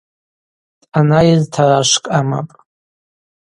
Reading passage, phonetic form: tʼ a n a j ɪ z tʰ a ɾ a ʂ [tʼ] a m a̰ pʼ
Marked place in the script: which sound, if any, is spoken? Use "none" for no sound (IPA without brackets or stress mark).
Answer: kʼ